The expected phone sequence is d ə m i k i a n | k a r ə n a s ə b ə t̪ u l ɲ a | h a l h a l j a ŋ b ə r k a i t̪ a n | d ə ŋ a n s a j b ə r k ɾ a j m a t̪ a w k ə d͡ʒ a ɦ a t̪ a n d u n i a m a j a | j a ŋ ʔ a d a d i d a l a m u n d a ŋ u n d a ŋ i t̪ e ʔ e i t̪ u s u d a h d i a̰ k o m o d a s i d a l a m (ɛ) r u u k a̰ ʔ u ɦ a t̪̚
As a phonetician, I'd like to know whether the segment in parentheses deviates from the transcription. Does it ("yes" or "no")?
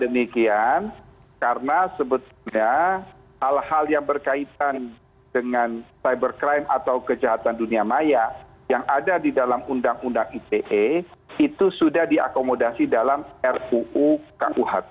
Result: no